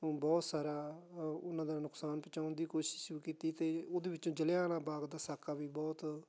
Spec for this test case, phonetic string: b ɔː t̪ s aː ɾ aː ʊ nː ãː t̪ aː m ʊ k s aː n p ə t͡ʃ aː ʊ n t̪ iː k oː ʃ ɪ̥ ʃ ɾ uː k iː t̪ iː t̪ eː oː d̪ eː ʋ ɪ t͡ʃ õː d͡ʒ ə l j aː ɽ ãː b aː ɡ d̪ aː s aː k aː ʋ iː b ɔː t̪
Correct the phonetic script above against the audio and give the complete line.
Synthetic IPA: b ɔː t̪ s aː ɾ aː ʊ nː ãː d̪ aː n ʊ k s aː n p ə t͡ʃ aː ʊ n d̪ iː k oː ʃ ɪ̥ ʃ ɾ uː k iː t̪ iː t̪ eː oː d̪ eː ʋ ɪ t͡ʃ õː d͡ʒ ə l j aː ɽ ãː b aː ɡ d̪ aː s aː k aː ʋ iː b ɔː t̪